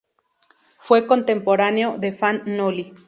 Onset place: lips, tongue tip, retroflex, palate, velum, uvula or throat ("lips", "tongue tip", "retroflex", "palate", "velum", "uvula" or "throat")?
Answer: lips